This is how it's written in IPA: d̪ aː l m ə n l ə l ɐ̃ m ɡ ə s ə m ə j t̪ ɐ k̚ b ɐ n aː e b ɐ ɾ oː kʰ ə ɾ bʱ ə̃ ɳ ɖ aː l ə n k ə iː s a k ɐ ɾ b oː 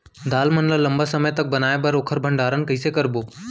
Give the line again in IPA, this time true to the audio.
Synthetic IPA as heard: d̪ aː l m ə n l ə l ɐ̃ m b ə s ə m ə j t̪ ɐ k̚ b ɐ n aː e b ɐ ɾ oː kʰ ə ɾ bʱ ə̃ ɳ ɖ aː ɾ ə n k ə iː s e k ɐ ɾ b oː